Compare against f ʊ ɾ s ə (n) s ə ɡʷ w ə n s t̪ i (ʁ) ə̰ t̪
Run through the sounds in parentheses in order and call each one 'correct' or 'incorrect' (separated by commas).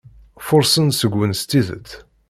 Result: correct, incorrect